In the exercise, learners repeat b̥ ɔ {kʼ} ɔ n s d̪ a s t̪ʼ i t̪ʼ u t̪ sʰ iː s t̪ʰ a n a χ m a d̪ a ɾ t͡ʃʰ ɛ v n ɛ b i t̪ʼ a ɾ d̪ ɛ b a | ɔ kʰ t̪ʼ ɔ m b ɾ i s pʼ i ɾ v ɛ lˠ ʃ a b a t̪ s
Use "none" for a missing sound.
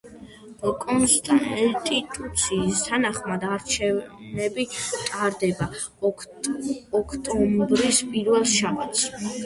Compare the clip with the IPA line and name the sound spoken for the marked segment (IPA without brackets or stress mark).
kʼ